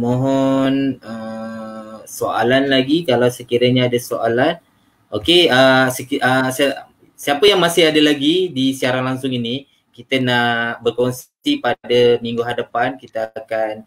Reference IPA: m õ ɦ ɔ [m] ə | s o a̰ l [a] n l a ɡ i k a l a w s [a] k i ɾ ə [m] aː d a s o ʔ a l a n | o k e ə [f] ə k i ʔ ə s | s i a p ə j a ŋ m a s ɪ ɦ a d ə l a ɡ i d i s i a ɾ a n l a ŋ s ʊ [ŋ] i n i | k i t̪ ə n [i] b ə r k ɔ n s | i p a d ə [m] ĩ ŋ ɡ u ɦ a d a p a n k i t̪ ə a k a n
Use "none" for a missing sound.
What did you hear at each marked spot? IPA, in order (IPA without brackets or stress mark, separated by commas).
n, a, ə, ɲ, s, ŋ, a, m